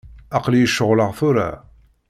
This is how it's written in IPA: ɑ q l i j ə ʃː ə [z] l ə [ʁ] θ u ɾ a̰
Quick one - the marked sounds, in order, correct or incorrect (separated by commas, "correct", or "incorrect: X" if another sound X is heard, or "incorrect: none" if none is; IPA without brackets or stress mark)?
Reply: incorrect: ʁ, correct